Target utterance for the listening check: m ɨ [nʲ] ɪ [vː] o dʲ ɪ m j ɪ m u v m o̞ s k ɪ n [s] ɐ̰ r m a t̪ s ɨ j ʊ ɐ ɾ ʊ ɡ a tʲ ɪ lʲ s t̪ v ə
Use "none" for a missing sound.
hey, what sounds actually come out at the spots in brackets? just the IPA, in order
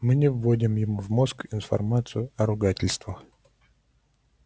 nʲ, vː, f

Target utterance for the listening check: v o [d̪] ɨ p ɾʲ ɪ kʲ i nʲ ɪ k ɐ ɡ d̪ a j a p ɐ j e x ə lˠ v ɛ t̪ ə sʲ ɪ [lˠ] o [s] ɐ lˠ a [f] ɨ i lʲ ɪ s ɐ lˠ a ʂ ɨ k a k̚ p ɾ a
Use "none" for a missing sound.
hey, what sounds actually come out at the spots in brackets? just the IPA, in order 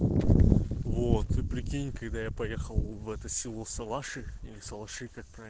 t̪, lˠ, s, ʂ

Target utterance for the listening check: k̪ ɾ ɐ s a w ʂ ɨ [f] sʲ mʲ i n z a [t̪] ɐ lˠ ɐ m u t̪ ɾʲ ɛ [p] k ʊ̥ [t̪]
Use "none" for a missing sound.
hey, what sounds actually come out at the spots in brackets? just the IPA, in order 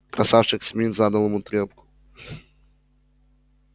x, d̪, p, none

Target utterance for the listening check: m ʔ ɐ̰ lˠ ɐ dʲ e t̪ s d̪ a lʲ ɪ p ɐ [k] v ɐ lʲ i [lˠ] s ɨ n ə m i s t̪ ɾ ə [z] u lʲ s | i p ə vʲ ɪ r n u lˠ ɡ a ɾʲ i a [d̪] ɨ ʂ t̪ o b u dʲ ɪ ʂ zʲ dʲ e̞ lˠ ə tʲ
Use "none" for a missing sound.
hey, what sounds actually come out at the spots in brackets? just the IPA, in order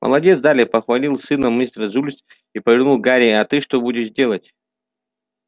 x, lˠ, z, t̪

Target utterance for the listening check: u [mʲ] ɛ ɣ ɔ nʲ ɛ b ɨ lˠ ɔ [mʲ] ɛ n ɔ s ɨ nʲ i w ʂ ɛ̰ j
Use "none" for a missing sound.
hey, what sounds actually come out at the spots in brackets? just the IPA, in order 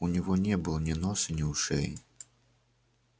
nʲ, nʲ

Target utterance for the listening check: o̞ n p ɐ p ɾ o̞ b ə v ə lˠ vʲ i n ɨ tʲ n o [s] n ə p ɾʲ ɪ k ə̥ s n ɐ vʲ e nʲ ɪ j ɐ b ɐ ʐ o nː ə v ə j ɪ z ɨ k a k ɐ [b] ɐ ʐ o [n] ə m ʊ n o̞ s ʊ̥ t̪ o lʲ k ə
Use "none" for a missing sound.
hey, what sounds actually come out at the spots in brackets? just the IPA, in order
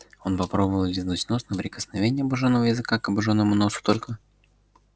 s, b, nː

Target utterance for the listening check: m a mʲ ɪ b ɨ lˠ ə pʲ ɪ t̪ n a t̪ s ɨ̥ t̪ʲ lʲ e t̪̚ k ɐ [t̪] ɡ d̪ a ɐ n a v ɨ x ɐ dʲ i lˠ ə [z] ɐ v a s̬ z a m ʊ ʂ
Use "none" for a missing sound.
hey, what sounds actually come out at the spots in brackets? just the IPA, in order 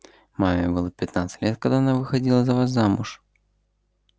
none, z

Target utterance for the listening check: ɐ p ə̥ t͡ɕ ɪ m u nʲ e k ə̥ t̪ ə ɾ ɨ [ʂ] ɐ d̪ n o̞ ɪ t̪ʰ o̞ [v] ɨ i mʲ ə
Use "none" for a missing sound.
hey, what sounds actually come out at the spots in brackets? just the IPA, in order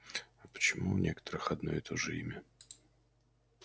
x, ʐ

